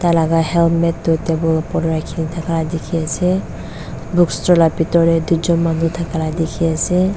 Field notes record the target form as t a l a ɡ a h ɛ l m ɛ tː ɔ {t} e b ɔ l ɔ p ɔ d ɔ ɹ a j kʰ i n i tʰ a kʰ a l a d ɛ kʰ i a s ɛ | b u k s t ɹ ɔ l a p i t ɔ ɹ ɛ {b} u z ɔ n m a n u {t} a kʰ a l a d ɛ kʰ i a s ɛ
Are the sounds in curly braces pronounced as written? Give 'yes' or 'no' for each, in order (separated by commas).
yes, no, no